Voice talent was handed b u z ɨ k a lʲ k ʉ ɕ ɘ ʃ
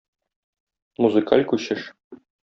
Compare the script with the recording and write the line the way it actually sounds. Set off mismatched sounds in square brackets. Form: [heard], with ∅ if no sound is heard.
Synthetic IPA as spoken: [m] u z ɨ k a lʲ k ʉ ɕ ɘ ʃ